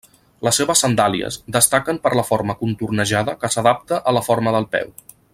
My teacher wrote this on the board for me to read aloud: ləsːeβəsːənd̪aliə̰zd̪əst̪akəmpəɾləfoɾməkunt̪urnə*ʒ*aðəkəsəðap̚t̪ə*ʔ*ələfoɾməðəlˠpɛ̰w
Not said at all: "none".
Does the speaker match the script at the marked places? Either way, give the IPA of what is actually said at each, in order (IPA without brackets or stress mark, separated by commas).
ʒ, ʔ